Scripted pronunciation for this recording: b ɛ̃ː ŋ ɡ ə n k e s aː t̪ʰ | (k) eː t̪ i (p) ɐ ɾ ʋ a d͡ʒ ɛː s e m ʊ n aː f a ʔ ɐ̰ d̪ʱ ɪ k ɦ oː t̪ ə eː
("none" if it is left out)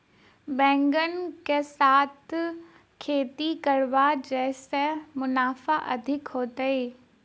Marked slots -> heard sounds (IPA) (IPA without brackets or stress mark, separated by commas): kʰ, k